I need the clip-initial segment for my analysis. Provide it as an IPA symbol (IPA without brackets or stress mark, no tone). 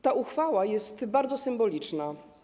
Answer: t̪